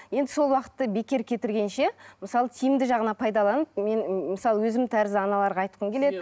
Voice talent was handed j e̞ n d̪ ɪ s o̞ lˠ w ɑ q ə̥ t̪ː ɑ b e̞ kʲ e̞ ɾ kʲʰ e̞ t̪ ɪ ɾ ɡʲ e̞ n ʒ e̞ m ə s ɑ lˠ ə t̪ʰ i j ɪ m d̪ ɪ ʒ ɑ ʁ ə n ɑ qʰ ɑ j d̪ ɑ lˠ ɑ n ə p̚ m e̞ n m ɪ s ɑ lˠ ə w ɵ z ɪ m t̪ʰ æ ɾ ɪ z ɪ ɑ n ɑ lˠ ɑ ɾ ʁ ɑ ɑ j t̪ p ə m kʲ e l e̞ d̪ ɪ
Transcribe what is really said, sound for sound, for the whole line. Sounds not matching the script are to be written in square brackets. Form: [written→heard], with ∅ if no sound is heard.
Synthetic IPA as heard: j e̞ n d̪ ɪ s o̞ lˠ w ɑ q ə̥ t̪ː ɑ b e̞ kʲ e̞ ɾ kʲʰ e̞ t̪ ɪ ɾ ɡʲ e̞ n [ʒ→ʃ] e̞ m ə s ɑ lˠ ə t̪ʰ i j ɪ m d̪ ɪ ʒ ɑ ʁ ə n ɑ [qʰ→pʰ] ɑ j d̪ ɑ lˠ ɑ n ə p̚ m e̞ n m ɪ s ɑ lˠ ə w ɵ z ɪ m t̪ʰ æ ɾ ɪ z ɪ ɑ n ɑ lˠ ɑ ɾ ʁ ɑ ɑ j t̪ [p→q] ə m kʲ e l e̞ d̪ ɪ